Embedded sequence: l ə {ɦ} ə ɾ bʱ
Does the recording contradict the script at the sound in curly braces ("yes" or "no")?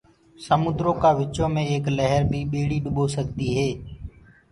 no